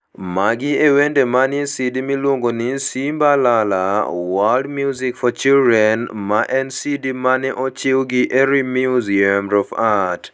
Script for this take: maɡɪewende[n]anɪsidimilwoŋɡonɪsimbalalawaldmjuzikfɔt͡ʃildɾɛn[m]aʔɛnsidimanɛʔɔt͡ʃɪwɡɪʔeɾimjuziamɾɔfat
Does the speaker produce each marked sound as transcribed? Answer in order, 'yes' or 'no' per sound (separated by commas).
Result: no, yes